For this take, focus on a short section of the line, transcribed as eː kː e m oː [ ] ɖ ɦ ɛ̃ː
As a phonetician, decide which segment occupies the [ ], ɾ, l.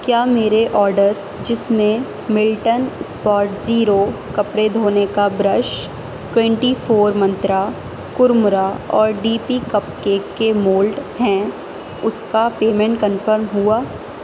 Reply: l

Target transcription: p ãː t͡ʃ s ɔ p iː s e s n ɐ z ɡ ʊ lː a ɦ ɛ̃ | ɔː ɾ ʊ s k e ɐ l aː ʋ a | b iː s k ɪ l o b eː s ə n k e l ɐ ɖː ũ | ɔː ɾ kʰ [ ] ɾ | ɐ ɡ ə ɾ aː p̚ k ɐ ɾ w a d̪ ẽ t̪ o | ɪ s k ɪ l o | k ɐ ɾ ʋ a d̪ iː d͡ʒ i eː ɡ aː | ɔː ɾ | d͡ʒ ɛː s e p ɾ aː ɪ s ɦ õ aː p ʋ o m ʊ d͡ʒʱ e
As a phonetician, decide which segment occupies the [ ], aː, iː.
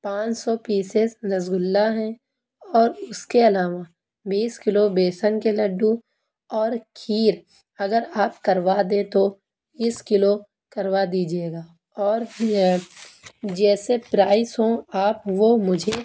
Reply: iː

